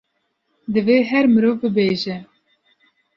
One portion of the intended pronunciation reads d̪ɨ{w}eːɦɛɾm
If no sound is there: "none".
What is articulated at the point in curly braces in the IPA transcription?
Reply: v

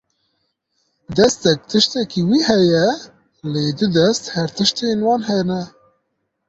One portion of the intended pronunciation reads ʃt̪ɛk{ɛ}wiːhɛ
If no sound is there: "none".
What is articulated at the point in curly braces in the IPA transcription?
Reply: i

